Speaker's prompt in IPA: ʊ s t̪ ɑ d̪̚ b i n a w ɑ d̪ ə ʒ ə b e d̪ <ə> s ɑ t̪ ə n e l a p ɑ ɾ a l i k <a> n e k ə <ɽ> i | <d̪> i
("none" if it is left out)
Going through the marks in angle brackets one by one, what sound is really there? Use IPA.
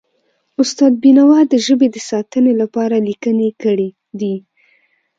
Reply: ə, ə, ɽ, d̪

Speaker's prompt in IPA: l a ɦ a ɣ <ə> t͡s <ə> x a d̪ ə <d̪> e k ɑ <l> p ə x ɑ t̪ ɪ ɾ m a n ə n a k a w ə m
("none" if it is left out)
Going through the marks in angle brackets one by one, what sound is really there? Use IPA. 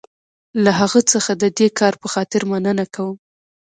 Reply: ə, ə, d̪, ɾ

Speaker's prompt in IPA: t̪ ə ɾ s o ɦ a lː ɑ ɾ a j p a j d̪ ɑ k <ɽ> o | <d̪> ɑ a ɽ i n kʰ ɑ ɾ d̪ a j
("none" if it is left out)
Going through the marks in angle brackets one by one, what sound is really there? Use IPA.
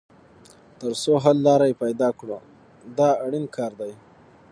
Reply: ɽ, d̪

